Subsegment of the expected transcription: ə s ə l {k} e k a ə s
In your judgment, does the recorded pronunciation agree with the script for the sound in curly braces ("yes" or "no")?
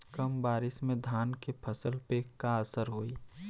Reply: no